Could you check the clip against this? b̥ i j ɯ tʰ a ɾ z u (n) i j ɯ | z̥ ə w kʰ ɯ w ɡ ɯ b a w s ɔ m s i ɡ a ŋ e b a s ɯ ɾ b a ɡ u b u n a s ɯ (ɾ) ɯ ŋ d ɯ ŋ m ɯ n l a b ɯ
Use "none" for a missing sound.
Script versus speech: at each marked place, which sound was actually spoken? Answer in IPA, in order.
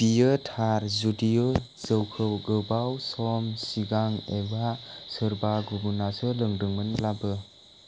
d, l

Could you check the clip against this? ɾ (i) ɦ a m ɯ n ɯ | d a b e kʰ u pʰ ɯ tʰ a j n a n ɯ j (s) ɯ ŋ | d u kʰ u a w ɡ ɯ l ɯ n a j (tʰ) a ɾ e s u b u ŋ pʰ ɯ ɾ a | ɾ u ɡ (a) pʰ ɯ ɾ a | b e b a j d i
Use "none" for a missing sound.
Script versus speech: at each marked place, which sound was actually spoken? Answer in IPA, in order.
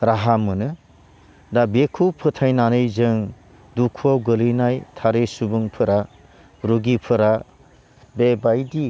a, z, tʰ, i

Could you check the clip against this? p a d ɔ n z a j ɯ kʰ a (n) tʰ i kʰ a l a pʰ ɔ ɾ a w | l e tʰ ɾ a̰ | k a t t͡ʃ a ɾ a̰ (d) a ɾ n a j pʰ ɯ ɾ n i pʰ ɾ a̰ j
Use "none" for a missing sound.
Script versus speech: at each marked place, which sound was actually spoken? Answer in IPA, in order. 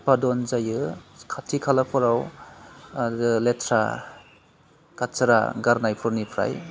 none, ɡ

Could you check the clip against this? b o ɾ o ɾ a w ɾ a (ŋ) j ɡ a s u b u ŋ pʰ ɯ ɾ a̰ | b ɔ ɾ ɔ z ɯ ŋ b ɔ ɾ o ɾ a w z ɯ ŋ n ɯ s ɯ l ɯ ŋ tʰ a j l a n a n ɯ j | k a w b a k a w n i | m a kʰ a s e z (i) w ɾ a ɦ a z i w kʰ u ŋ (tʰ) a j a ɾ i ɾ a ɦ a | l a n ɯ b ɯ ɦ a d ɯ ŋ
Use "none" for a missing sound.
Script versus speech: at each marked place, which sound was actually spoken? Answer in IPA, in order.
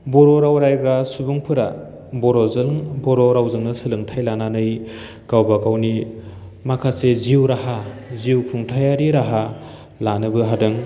none, i, tʰ

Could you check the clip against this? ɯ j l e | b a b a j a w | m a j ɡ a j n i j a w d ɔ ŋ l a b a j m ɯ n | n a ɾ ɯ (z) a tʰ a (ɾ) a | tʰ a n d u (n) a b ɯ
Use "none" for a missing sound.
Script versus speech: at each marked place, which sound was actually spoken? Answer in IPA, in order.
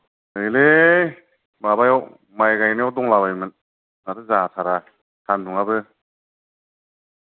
z, ɾ, ŋ

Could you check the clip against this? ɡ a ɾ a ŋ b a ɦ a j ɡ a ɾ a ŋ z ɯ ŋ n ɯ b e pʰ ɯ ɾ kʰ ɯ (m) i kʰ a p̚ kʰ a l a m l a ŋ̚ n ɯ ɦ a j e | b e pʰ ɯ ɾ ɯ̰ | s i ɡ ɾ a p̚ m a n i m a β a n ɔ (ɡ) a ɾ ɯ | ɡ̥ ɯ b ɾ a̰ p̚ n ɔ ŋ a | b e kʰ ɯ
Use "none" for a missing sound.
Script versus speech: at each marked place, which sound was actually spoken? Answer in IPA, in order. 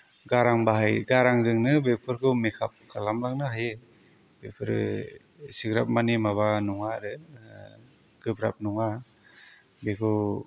m, ŋ

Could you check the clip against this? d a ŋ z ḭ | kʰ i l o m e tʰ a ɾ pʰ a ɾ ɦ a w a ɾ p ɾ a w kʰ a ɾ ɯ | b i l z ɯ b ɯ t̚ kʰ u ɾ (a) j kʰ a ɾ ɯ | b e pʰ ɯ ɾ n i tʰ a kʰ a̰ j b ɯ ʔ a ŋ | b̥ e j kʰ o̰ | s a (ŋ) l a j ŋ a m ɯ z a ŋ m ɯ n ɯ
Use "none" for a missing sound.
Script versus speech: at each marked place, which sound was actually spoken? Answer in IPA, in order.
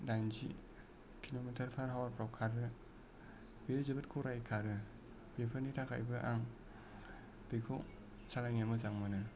a, none

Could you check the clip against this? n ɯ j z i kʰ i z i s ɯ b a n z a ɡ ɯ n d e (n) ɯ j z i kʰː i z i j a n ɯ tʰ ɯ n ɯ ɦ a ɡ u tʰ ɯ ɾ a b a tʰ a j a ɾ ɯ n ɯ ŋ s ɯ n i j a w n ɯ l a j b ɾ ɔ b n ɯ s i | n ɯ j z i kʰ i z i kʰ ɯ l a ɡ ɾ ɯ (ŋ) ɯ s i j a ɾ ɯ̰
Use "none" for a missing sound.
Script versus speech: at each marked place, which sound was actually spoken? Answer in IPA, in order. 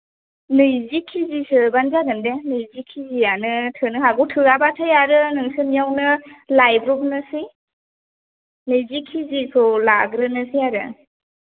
n, n

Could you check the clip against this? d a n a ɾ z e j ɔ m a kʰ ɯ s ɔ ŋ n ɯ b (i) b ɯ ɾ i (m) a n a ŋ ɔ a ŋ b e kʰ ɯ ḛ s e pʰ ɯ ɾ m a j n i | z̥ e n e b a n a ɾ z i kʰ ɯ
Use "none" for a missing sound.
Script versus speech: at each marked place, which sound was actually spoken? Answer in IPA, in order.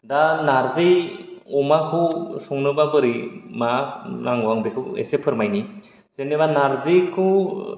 a, m

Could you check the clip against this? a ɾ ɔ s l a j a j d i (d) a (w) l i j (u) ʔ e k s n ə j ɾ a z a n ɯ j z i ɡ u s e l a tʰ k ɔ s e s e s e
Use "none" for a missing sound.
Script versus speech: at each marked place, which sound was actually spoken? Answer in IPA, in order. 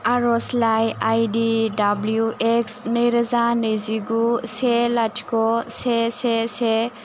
d, b, u

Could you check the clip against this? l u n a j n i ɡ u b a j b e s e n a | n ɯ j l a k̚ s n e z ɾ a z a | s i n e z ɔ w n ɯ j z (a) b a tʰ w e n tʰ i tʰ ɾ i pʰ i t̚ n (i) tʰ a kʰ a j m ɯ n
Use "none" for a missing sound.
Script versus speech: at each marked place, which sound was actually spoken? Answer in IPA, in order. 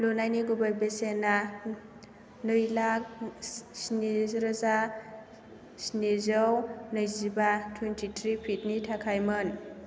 i, i

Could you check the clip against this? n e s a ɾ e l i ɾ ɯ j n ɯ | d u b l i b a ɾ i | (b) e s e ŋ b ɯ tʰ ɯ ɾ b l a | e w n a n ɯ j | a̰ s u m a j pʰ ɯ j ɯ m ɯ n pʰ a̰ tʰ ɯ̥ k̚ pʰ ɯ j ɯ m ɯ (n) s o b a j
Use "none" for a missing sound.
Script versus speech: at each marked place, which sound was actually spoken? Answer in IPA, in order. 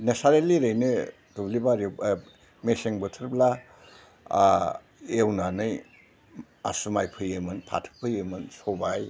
m, n

